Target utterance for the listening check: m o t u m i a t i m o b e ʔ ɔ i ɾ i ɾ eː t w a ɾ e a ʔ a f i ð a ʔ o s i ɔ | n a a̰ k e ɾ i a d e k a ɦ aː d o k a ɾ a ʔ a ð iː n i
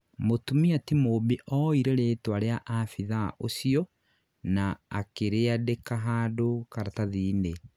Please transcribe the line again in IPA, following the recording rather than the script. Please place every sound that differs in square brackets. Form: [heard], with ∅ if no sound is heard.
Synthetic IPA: m o t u m i a t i m o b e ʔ ɔ i ɾ [e] ɾ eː t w a ɾ e a ʔ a f i ð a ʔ o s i ɔ | n a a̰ k e ɾ [e] a d e k a ɦ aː d o k a ɾ a [t] a ð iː n [e]

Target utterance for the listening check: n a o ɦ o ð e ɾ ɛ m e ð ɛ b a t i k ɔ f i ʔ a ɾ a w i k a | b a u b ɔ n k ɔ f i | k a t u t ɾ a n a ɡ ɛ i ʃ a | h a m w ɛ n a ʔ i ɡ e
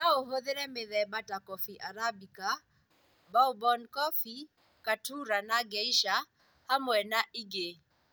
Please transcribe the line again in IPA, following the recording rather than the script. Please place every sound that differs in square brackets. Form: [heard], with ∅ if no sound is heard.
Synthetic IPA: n a o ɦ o ð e ɾ ɛ m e ð ɛ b a t [a] k ɔ f i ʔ a ɾ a [b] i k a | b a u b ɔ n k ɔ f i | k a t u [∅] ɾ a n a ɡ ɛ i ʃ a | h a m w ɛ n a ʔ i ɡ e

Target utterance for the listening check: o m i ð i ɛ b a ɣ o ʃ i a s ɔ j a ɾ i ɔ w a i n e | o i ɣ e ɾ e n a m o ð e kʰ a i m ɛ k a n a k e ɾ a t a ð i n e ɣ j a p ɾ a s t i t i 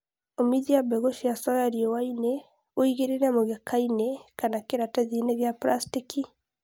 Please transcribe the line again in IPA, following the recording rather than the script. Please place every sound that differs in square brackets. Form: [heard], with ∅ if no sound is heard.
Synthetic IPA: o m i ð i [a] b [ɛ] ɣ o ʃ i a s ɔ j a ɾ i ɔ w a i n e | o i ɣ e ɾ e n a m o [ɣ] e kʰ a i [n] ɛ k a n a k e ɾ a t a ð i n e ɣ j a p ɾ a s t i [k] i

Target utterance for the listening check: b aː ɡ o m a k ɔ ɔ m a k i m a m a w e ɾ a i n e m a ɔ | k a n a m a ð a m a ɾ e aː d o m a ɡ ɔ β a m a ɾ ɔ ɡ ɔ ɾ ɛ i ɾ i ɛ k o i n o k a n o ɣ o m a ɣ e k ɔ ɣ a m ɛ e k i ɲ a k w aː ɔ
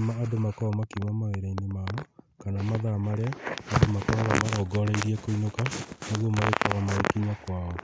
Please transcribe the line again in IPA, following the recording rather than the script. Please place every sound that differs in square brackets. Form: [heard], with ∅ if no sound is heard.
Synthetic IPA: [m] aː [d] o m a k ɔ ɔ m a k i m a m a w e ɾ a i n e m a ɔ | k a n a m a ð a m a ɾ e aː d o m a [k] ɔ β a m a ɾ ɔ ɡ ɔ ɾ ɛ i ɾ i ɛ k o i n o k a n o ɣ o m a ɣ e k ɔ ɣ a m [a] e k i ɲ a k w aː ɔ

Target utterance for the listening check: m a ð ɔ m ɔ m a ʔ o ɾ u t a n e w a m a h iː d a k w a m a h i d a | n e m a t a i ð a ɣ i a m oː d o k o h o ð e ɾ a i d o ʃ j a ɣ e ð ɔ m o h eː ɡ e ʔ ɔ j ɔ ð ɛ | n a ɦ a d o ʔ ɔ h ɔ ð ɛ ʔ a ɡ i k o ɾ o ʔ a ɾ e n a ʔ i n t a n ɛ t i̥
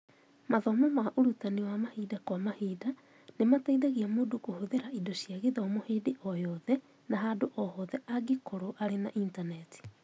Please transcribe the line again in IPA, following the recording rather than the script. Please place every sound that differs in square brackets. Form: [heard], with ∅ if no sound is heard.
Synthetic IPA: m a ð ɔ m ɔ m a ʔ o ɾ u t a n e w a m a h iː d a k w a m a h i d a | n e m a t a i ð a ɣ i a m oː d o k o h o ð e ɾ a i d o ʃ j a ɣ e ð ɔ m o h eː [d] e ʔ ɔ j ɔ ð ɛ | n a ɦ a d o ʔ ɔ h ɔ ð ɛ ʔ a ɡ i k o ɾ o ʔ a ɾ e n a ʔ i n t a n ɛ t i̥

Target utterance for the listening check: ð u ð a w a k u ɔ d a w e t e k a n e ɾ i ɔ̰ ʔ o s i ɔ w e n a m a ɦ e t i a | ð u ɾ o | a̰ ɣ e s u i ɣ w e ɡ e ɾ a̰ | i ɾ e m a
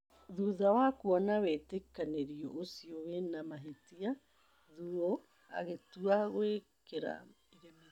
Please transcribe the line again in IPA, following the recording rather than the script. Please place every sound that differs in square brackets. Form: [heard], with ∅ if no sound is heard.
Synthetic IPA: ð u ð a w a k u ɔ [n] a w e t e k a n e ɾ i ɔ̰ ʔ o s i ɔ w e n a m a ɦ e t i a | ð u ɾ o | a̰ ɣ e [t] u [a] ɣ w e [k] e ɾ a̰ | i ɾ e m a

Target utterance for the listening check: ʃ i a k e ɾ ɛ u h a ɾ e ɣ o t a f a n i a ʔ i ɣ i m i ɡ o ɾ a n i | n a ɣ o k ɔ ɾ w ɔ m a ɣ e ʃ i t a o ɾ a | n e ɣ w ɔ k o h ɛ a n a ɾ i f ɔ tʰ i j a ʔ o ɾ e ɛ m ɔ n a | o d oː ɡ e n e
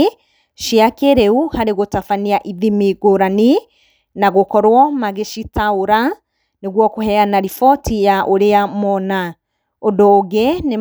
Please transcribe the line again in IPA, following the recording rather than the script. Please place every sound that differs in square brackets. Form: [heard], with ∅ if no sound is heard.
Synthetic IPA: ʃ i a k e ɾ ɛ u h a ɾ e ɣ o t a f a n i a ʔ i [ð] i m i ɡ o ɾ a n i | n a ɣ o k ɔ ɾ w ɔ m a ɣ e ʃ i t a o ɾ a | n e ɣ w ɔ k o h ɛ a n a ɾ i f ɔ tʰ i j a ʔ o ɾ e [a] m ɔ n a | o d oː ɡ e n e

